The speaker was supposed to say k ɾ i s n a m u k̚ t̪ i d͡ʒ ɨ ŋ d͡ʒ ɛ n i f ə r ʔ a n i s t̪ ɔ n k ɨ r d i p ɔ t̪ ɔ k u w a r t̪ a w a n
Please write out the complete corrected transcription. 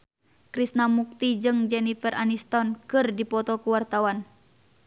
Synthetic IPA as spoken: k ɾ i s n a m u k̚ t̪ i d͡ʒ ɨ ŋ d͡ʒ ɛ n i f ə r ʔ a n i s t̪ ɔ n k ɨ r d i p ɔ t̪ ɔ k u w a r t̪ a w a n